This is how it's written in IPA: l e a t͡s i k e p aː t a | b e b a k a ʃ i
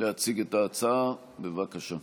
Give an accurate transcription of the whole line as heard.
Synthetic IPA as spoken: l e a t͡s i ɡ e t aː t͡s a | b e v a k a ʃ a